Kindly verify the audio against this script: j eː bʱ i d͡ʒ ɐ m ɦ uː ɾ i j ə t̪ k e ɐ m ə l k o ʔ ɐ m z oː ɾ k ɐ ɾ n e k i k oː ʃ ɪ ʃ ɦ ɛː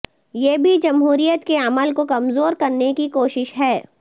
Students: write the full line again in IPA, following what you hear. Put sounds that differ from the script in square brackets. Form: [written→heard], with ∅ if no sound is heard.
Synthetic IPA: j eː bʱ i d͡ʒ ɐ m ɦ uː ɾ i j ə t̪ k e ɐ m ə l k o [ʔ→k] ɐ m z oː ɾ k ɐ ɾ n e k i k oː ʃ ɪ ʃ ɦ ɛː